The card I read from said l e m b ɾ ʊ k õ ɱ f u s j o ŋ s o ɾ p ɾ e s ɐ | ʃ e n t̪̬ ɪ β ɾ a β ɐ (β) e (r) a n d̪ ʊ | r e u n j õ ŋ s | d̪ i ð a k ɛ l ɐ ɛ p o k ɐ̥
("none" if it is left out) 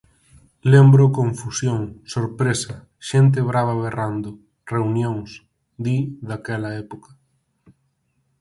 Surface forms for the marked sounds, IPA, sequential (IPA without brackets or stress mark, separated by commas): β, r